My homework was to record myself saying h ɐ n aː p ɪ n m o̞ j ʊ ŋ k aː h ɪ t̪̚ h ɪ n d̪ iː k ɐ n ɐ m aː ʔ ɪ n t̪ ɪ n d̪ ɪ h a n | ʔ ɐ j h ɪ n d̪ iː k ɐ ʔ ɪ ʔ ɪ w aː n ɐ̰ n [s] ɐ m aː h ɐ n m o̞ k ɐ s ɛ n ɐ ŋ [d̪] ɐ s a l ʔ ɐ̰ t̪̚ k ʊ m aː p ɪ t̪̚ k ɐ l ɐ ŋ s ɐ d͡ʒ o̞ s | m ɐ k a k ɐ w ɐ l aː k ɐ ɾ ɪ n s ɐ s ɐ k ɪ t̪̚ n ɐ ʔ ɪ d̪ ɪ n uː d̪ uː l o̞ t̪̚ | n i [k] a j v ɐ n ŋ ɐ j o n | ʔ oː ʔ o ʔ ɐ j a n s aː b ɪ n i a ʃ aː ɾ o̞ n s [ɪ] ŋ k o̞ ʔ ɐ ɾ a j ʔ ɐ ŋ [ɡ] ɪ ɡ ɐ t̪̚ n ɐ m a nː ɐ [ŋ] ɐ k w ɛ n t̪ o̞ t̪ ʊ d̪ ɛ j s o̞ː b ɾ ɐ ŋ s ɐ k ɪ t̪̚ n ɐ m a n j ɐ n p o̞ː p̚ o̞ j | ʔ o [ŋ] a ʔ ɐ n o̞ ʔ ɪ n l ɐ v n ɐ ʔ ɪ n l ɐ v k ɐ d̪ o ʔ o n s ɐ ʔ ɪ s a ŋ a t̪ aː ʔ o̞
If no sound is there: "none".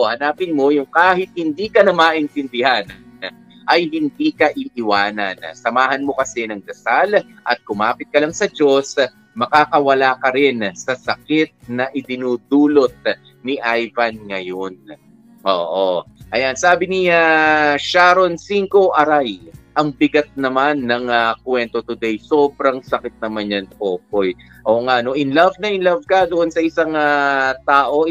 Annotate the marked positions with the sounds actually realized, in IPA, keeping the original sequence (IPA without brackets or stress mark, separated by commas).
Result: s, d̪, ʔ, i, b, ŋ, ŋ